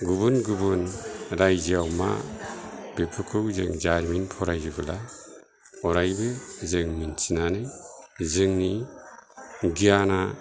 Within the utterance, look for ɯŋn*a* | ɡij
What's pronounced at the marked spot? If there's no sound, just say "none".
i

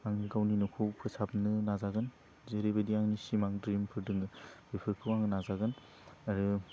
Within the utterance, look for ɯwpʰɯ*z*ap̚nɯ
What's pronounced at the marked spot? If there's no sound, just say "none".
s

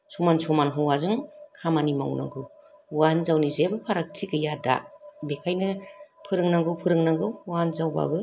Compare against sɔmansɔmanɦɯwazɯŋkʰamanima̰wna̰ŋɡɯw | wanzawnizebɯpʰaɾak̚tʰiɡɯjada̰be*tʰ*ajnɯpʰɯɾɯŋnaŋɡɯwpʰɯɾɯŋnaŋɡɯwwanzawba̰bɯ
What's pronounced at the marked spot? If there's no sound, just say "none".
kʰ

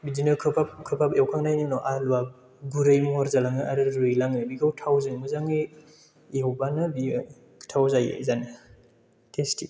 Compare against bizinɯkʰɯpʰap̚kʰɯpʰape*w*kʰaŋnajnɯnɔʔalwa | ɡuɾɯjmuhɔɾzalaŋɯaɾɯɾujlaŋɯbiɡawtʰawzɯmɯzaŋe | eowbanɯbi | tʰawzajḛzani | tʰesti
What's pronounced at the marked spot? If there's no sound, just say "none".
w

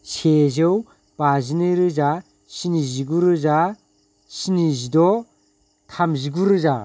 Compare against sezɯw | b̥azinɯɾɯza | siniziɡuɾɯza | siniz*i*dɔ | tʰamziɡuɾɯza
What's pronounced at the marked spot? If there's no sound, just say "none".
i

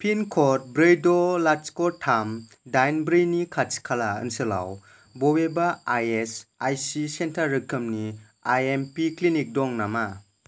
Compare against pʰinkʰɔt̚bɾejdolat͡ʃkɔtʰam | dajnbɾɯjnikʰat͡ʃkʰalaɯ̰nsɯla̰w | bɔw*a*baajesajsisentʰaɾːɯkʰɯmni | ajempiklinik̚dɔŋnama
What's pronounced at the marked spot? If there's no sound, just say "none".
e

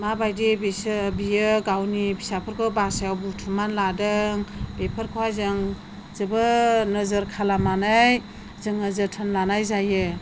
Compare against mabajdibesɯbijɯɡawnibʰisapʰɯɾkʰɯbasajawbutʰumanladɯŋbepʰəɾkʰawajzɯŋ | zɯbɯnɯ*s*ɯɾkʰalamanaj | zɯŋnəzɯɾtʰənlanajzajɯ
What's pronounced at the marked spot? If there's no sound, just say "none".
z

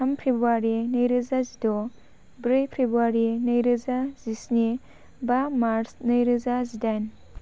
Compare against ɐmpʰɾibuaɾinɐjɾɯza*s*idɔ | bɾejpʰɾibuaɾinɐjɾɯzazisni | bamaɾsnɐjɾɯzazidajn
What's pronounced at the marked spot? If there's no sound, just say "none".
z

